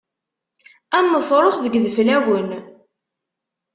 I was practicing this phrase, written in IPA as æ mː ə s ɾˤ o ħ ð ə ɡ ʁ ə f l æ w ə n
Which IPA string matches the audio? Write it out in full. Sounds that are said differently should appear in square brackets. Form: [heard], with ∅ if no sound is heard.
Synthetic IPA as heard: æ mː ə [f] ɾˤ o [χ] ð ə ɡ [ð] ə f l æ w ə n